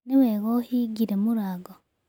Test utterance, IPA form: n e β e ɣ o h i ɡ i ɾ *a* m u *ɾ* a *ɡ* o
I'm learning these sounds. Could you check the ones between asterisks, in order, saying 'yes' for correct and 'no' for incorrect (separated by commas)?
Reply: no, yes, yes